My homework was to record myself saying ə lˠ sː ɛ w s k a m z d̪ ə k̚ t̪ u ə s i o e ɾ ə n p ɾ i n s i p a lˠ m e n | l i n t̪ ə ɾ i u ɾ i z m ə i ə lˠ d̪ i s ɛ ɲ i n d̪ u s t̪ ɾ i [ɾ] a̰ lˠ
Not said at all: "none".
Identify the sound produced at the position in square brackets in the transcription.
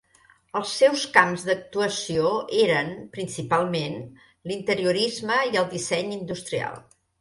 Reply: none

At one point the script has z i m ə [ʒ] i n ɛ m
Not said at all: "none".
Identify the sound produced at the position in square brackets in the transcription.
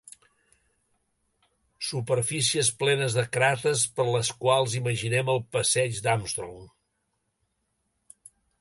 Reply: ʒ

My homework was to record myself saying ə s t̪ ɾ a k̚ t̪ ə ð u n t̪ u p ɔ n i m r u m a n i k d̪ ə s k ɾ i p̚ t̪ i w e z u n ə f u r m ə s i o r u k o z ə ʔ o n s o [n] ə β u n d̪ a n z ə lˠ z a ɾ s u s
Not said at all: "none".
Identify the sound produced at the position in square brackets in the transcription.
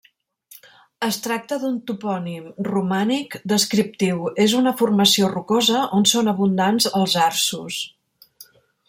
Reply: n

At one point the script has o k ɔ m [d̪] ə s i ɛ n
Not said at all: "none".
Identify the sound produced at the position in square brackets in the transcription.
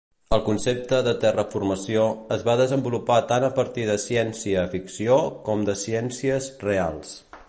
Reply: d̪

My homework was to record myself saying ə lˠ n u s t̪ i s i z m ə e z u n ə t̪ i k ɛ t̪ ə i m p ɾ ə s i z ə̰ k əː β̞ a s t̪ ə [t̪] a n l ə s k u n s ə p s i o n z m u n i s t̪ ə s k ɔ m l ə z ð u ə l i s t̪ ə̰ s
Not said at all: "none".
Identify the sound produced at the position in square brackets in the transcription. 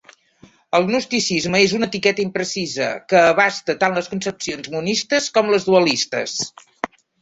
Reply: t̪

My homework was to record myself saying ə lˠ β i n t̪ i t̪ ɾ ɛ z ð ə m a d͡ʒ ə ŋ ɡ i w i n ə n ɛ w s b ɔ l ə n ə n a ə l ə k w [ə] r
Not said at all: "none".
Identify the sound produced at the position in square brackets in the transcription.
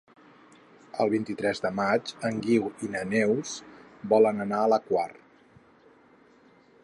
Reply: a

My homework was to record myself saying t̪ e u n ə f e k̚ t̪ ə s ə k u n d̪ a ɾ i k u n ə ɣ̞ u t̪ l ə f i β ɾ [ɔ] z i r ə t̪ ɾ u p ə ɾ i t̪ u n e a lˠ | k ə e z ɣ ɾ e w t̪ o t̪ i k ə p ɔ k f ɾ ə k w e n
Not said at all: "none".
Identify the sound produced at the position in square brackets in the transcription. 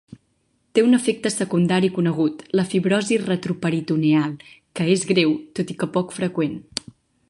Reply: ɔ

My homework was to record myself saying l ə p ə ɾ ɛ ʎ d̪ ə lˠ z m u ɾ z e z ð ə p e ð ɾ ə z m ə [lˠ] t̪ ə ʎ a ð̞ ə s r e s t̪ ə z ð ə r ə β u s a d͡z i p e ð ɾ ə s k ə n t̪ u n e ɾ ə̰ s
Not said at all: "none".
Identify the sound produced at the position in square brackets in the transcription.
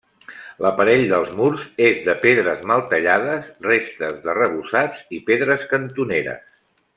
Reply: lˠ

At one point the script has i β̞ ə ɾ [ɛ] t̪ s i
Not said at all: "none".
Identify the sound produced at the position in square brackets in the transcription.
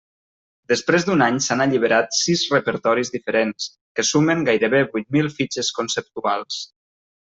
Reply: a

